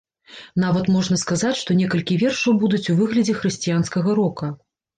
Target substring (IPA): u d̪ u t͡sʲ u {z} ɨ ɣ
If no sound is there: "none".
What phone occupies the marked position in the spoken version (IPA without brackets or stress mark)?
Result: v